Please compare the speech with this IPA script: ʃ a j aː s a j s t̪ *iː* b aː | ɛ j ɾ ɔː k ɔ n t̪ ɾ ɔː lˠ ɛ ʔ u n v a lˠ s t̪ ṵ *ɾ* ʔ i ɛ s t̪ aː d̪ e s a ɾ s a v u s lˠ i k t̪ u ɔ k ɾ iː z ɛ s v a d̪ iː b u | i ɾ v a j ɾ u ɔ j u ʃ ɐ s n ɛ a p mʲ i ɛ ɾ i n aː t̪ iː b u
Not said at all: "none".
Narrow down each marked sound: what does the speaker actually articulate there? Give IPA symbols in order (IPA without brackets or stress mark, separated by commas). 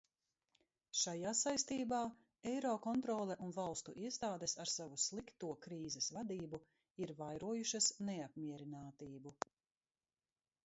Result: iː, none